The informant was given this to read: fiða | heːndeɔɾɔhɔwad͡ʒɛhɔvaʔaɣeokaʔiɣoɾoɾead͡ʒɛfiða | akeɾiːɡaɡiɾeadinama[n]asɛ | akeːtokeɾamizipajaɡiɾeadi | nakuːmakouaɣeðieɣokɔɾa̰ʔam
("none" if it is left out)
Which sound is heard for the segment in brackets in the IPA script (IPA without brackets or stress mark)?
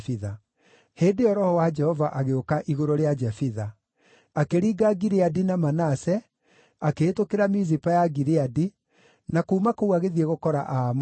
n